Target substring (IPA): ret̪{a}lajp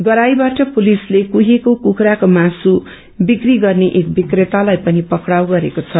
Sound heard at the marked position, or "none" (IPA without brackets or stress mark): a